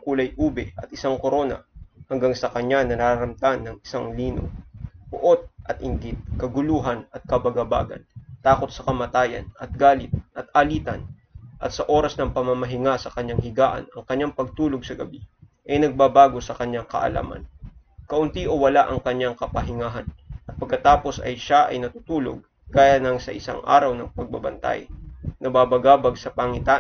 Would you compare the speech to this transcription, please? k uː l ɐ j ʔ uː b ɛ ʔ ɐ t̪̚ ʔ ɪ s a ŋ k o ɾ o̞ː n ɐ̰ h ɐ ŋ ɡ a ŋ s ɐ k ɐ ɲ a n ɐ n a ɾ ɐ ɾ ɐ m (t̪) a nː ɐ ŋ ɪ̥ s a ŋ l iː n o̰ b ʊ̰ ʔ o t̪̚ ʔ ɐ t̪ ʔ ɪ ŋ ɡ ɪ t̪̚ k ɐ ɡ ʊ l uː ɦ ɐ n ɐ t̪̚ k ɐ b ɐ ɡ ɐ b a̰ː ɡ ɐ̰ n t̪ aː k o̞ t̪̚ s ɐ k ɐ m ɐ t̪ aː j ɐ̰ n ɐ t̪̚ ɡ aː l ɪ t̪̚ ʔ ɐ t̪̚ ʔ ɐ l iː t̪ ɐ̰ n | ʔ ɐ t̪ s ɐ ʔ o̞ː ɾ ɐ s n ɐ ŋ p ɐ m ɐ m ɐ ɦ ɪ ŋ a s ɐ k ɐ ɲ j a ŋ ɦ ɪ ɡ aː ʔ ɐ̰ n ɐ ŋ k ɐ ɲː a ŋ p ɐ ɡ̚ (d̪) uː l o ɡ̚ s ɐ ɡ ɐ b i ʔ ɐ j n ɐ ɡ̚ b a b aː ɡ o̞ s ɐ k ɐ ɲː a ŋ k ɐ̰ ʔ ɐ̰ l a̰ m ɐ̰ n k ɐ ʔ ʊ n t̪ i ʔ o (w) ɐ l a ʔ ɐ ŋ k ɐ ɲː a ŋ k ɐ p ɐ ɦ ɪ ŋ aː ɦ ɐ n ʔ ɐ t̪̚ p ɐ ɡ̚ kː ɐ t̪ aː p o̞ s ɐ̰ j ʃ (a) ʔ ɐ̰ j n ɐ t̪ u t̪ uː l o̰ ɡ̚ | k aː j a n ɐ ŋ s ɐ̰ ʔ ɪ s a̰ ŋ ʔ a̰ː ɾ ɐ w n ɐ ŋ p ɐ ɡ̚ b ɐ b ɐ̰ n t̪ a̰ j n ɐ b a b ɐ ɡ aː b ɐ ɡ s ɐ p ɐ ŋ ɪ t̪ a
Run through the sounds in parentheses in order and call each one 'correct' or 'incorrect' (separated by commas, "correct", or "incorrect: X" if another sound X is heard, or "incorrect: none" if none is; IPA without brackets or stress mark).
correct, incorrect: t̪, correct, correct